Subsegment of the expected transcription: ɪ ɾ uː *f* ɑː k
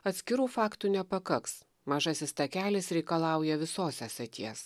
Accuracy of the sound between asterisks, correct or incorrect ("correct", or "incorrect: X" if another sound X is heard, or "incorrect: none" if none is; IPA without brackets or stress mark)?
correct